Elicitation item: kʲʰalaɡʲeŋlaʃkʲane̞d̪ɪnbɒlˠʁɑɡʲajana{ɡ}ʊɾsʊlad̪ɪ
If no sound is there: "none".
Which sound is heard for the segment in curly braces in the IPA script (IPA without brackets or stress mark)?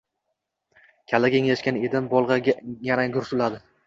ɡ